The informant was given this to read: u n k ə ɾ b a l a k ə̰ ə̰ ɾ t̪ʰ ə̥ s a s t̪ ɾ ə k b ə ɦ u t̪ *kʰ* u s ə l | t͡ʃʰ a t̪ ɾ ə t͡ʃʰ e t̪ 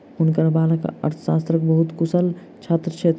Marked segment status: incorrect: k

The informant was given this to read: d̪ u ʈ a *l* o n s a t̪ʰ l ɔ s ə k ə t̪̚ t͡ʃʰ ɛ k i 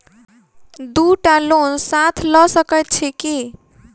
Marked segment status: correct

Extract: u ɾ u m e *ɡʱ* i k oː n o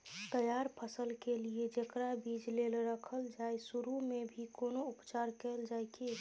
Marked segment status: incorrect: bʱ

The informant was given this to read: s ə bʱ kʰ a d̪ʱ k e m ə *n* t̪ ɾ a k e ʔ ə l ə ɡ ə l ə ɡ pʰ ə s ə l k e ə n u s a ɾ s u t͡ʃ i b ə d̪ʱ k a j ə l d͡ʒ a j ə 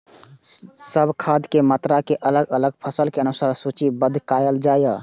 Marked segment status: incorrect: none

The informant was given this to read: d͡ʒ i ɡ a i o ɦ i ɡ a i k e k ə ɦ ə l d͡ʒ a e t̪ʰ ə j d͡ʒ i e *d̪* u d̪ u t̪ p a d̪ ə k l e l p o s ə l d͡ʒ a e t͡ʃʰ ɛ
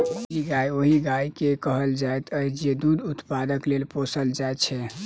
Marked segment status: correct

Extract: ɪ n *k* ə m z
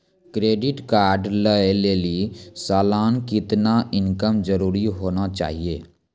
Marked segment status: correct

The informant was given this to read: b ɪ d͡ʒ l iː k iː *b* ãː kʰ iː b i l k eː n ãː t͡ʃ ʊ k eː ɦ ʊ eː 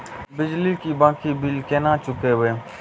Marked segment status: correct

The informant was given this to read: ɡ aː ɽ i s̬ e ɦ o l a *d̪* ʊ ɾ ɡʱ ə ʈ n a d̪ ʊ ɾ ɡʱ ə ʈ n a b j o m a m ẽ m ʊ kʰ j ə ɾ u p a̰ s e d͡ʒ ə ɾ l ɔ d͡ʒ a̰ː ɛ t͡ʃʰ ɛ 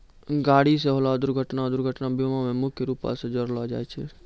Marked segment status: correct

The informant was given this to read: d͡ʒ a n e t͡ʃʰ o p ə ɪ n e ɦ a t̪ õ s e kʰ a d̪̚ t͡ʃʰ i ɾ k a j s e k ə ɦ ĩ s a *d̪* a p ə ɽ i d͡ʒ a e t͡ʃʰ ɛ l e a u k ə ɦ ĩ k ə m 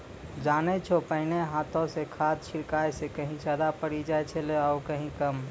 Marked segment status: correct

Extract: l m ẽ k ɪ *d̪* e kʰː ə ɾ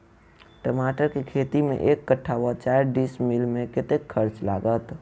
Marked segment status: incorrect: t̪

